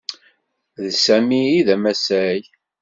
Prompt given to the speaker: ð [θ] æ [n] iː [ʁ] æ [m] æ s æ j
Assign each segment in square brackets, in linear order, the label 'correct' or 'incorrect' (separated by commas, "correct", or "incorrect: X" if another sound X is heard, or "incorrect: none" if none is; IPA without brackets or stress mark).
incorrect: s, incorrect: m, incorrect: ð, correct